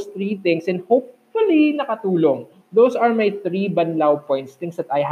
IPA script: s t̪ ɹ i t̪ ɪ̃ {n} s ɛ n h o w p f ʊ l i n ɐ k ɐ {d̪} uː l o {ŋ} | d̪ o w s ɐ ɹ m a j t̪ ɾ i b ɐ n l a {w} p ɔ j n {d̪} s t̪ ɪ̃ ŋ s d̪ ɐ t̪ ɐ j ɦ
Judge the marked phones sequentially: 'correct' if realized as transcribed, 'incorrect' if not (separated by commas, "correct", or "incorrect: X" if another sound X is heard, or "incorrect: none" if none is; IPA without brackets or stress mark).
incorrect: ŋ, incorrect: t̪, correct, correct, incorrect: t̪